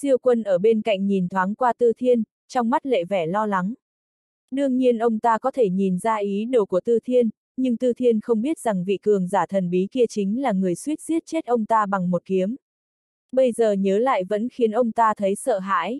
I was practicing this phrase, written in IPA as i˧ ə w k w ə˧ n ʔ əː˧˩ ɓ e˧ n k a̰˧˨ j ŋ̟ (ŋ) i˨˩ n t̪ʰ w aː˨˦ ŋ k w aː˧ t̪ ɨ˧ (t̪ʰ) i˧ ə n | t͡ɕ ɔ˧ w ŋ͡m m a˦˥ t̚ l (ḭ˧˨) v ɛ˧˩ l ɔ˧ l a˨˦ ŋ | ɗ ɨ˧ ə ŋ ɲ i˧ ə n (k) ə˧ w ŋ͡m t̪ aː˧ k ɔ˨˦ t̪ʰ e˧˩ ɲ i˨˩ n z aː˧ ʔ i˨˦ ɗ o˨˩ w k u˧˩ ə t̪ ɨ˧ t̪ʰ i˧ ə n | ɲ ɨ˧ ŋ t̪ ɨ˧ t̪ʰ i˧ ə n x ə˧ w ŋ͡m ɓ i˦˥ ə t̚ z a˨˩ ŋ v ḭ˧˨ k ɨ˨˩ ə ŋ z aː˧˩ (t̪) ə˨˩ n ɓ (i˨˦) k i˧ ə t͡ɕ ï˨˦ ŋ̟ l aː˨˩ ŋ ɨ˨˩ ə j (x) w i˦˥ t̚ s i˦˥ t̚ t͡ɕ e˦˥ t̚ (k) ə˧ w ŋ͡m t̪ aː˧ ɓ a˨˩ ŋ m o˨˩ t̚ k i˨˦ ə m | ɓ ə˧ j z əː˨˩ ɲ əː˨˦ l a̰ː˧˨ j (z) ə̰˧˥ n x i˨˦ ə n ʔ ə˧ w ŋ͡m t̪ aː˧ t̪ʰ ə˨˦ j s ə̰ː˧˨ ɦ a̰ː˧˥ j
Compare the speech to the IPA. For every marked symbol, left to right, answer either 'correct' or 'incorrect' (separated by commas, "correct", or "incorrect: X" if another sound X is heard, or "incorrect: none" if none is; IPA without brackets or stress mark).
incorrect: ɲ, correct, incorrect: ḛ˧˨, incorrect: ʔ, incorrect: t̪ʰ, correct, incorrect: s, incorrect: ʔ, incorrect: v